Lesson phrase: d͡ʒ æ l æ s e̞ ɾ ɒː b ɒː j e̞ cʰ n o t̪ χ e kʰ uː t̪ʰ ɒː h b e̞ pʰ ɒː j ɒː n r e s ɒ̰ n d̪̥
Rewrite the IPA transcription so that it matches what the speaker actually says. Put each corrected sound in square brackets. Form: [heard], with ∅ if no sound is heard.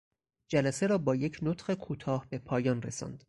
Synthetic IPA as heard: d͡ʒ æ l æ s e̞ ɾ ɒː b ɒː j e̞ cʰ n o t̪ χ e kʰ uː t̪ʰ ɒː h b e̞ pʰ ɒː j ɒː n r e s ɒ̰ n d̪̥